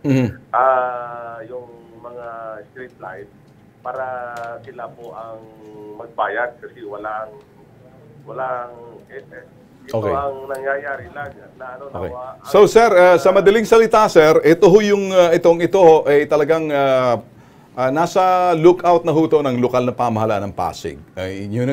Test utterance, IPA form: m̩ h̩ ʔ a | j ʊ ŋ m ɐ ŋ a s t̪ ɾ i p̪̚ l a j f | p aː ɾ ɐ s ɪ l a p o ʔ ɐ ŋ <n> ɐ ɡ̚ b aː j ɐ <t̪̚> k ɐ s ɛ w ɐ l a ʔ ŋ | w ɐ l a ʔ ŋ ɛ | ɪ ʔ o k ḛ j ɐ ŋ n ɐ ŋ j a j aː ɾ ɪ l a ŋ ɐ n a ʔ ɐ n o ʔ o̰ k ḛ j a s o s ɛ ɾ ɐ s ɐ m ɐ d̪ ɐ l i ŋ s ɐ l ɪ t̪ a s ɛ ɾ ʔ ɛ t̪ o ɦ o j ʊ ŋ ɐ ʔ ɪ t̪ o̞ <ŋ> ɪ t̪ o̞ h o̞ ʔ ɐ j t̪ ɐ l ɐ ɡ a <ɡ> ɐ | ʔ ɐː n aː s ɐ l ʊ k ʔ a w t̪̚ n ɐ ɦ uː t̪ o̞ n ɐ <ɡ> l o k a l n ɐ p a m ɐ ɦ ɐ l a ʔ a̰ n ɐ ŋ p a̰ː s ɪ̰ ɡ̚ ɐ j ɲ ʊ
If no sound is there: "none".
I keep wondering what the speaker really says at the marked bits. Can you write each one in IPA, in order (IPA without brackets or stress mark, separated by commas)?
m, d̪̚, ŋ, ŋ, ŋ